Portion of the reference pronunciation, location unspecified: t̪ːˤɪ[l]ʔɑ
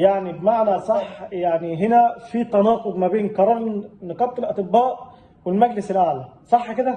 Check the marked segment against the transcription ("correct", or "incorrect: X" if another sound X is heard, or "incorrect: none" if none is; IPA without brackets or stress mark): correct